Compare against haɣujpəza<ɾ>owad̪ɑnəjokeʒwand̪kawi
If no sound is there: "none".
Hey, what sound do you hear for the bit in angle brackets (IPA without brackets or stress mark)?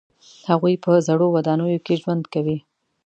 ɽ